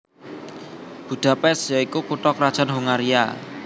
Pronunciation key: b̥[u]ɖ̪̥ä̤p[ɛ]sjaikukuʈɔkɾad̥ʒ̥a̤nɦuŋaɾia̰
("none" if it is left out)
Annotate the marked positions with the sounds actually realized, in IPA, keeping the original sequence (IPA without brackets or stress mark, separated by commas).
u, ɛ